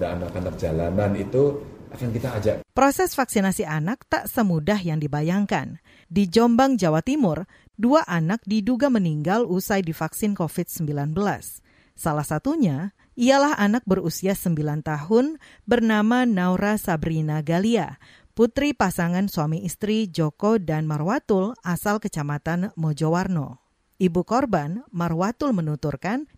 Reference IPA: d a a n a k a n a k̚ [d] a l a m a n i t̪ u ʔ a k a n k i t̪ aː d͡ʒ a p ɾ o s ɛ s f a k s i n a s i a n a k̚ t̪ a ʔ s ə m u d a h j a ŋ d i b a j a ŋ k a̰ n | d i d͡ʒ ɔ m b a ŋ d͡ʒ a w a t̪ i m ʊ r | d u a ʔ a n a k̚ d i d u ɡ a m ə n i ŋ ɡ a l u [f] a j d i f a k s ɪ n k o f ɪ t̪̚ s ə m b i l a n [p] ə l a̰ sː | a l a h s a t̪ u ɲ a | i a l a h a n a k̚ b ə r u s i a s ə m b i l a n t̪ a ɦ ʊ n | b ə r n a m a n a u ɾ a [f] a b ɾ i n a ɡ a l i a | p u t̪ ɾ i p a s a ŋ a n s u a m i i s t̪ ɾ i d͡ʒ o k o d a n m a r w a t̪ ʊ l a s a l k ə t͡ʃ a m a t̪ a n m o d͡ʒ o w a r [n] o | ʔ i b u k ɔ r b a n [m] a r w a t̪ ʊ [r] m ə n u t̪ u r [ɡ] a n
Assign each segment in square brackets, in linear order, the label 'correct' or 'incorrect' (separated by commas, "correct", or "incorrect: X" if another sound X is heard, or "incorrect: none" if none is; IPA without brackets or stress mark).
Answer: incorrect: d͡ʒ, incorrect: s, incorrect: b, incorrect: s, correct, correct, incorrect: l, incorrect: k